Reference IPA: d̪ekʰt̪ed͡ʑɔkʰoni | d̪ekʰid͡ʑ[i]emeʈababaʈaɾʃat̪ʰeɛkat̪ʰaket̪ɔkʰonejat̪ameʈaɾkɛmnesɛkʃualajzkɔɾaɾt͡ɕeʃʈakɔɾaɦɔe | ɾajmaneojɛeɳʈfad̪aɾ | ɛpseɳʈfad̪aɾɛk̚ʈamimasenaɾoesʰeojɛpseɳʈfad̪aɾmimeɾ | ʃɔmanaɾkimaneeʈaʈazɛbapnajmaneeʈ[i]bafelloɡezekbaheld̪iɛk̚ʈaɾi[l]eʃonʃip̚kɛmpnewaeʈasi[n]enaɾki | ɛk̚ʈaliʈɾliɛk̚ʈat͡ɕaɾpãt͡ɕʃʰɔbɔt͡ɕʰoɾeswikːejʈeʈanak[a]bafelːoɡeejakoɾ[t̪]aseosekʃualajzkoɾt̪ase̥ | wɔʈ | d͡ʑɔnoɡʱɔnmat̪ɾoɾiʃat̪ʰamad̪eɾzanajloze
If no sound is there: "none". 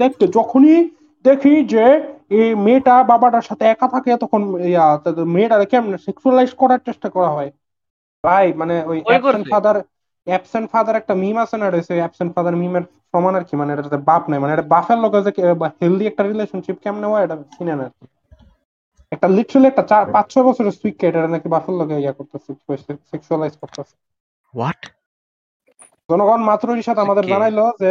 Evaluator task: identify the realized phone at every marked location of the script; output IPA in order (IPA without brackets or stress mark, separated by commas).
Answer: e, a, l, n, i, t̪